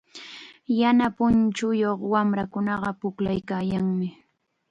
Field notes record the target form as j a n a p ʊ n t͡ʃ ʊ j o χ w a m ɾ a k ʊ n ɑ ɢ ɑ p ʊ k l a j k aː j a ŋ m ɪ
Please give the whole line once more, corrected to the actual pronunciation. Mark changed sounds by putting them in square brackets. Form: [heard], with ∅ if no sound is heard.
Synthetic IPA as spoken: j a n a p ʊ n t͡ʃ ʊ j o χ w a m ɾ a k ʊ n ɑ ɢ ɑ p ʊ k l a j k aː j a ŋ m ɪ